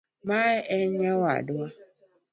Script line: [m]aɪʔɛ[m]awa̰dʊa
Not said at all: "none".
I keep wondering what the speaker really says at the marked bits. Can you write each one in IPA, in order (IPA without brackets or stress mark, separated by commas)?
m, ɲ